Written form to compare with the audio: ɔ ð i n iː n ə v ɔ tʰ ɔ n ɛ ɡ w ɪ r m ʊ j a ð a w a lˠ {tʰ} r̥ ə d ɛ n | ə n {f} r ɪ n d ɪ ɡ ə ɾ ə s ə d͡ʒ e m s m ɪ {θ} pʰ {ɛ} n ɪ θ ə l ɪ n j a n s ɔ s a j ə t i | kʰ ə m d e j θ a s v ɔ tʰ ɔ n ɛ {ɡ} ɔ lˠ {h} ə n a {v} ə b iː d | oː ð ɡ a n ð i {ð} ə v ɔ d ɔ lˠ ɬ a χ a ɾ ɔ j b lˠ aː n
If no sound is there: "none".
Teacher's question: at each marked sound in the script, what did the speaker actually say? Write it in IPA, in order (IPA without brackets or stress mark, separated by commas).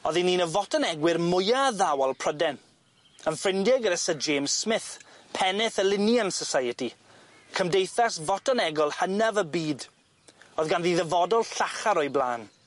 pʰ, f, θ, ɛ, ɡ, h, v, ð